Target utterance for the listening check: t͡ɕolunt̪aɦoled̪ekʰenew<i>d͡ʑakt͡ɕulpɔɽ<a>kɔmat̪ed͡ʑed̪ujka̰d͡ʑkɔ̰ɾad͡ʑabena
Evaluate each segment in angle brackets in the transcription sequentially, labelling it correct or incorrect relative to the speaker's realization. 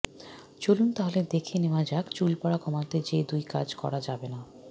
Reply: incorrect: a, correct

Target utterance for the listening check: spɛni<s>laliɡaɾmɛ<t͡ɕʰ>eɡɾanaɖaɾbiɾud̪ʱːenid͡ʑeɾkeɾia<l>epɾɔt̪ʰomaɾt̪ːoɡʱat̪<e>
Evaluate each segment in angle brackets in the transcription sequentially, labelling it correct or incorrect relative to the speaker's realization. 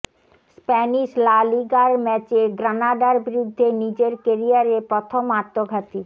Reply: incorrect: ʃ, incorrect: t͡ɕ, incorrect: ɾ, incorrect: i

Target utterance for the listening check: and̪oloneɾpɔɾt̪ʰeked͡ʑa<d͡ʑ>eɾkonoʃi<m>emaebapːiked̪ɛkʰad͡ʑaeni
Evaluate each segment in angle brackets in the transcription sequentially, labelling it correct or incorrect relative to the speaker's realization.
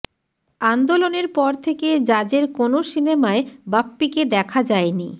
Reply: correct, incorrect: n

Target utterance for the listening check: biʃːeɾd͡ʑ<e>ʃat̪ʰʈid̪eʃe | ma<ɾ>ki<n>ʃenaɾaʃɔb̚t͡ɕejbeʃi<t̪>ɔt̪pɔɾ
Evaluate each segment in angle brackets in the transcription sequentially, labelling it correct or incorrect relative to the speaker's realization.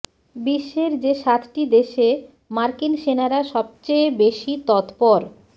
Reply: correct, correct, correct, correct

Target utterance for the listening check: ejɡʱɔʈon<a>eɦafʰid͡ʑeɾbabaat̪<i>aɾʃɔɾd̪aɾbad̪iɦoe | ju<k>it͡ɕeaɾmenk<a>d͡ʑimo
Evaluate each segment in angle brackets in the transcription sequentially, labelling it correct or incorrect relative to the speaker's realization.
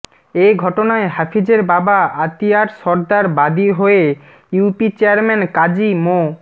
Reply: correct, correct, incorrect: p, correct

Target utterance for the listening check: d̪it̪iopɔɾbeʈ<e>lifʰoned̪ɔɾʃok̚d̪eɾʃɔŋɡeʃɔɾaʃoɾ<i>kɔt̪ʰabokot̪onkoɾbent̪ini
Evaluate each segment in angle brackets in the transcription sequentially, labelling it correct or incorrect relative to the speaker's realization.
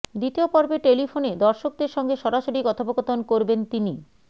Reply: correct, correct

